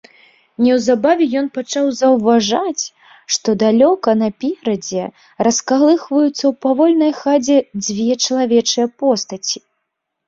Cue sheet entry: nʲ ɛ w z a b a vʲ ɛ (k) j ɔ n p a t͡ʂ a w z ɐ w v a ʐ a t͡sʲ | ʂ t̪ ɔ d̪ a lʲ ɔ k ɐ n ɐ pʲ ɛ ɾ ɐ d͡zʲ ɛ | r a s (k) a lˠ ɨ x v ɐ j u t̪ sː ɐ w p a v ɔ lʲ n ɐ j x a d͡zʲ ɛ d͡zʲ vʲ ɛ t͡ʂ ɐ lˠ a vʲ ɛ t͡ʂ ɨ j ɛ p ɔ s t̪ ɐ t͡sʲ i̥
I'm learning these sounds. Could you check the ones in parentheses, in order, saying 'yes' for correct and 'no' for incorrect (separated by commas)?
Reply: no, yes